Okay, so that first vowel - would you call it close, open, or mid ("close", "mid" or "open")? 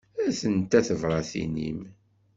open